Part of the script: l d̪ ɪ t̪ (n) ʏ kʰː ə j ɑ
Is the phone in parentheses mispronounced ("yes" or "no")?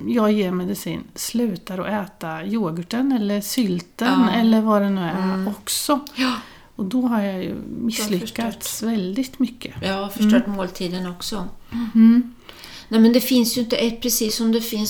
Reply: yes